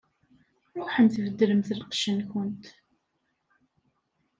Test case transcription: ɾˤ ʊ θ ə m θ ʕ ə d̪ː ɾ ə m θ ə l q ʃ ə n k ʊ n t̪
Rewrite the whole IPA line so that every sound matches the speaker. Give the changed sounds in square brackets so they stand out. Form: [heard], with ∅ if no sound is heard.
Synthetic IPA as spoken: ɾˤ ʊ [ħ] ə [n] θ [v] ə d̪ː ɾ ə m θ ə l q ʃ ə n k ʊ n t̪